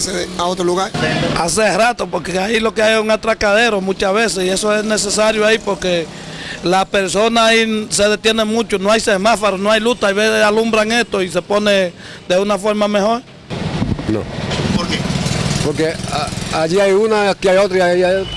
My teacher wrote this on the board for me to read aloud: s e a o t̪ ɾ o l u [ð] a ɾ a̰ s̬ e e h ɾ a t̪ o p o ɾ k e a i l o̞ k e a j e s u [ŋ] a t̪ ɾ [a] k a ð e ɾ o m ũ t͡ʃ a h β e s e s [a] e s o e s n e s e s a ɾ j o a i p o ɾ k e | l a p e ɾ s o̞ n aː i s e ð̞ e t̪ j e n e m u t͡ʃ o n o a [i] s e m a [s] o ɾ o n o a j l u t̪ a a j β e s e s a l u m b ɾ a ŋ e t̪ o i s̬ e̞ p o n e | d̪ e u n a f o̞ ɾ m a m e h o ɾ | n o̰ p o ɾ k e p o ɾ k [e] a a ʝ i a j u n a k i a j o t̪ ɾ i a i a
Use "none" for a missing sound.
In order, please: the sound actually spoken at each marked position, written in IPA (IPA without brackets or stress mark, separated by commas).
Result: ɣ, ŋ, a, i, j, f, e